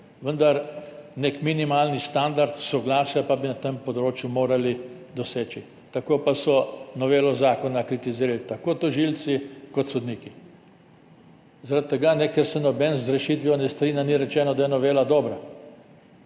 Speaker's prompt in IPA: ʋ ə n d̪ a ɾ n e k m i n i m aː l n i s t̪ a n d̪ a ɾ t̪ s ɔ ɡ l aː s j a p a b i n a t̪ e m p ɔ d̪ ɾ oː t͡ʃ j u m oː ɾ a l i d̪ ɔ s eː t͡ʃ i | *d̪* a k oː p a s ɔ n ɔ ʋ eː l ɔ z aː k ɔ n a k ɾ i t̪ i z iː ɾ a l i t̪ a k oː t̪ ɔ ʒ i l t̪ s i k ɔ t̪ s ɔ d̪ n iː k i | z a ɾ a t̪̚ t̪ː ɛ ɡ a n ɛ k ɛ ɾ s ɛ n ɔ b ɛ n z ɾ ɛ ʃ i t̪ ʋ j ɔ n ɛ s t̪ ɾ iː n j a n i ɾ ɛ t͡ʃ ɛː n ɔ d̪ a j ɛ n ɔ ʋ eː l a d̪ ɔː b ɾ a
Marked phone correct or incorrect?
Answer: incorrect: t̪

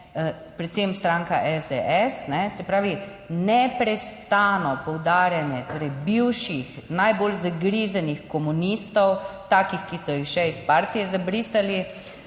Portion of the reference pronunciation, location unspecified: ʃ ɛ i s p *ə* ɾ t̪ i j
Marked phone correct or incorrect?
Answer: incorrect: a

